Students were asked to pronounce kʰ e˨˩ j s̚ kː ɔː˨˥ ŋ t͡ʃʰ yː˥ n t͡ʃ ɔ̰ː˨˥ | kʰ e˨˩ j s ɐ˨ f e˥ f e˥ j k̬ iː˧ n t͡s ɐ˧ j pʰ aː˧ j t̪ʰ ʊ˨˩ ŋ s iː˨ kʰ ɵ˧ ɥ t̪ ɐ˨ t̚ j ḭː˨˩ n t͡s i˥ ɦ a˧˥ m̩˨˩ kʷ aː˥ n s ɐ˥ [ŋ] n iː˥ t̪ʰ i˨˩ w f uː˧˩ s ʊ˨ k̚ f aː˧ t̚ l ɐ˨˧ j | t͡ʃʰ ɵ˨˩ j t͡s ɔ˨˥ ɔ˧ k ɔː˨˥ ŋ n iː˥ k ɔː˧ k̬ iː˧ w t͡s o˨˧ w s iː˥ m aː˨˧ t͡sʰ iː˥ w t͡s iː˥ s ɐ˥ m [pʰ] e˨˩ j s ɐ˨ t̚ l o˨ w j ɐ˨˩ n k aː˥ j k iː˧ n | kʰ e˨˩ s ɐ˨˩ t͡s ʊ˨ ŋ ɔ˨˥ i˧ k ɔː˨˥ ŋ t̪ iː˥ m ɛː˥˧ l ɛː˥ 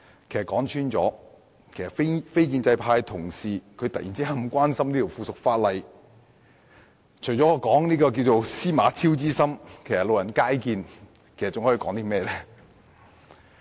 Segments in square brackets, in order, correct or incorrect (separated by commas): incorrect, incorrect